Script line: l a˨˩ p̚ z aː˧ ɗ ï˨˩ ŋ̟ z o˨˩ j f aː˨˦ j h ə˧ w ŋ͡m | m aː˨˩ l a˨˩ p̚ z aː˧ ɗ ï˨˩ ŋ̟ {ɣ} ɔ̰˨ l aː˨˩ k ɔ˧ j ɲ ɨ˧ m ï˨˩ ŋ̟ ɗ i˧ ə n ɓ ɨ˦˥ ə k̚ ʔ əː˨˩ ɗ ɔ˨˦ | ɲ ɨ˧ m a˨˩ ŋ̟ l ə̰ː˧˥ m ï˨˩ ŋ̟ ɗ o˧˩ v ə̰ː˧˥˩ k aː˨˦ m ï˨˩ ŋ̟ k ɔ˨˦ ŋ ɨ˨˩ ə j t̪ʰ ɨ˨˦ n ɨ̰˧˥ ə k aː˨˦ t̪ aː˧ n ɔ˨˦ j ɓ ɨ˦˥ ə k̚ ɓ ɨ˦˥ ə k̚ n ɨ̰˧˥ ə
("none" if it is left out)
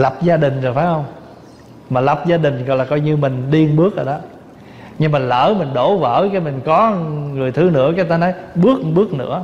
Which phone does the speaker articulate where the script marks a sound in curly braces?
ɣ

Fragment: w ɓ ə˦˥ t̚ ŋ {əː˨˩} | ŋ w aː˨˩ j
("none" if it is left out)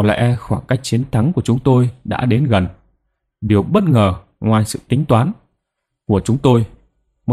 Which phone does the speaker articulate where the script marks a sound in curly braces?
əː˨˩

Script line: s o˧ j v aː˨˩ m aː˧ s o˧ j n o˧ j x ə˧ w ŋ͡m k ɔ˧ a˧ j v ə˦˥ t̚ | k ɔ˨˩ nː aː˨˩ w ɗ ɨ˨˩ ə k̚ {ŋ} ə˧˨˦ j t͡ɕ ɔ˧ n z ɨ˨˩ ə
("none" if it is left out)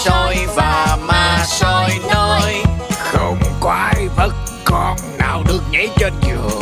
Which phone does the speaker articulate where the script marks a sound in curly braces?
ɲ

